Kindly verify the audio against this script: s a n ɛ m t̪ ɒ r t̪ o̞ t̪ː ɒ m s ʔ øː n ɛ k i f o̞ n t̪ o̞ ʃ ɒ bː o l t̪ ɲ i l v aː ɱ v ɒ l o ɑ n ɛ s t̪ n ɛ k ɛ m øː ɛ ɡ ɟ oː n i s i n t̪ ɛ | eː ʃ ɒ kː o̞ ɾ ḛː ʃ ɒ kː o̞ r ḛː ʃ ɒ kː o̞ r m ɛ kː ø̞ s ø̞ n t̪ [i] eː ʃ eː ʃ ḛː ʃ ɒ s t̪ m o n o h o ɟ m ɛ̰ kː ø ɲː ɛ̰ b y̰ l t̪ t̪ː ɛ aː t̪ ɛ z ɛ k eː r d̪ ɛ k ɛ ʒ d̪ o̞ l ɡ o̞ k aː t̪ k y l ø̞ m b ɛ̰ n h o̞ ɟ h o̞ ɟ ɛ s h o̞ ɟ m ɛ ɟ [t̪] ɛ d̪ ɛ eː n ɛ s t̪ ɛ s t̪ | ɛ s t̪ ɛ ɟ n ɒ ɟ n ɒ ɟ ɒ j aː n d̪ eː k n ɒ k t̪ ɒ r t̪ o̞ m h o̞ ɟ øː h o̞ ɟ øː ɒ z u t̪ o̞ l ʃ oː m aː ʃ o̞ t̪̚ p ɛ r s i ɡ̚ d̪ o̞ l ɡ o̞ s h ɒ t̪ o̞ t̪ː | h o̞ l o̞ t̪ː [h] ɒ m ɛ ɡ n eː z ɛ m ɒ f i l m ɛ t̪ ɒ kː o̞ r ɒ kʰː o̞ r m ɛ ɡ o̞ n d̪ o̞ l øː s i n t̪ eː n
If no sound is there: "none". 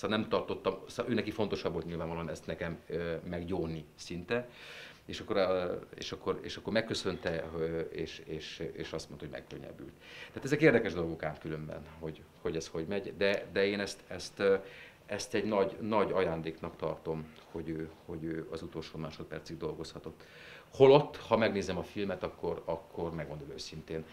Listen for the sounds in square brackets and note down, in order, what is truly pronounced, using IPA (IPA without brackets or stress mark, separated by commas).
ɛ, d̪, h